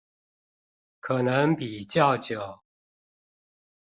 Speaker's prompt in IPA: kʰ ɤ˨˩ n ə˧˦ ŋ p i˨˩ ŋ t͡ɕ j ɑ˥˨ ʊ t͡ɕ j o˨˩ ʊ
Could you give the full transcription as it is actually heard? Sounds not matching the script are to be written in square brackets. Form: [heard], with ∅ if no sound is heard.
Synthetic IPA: kʰ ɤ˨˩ n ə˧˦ ŋ p i˨˩ [∅] t͡ɕ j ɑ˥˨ ʊ t͡ɕ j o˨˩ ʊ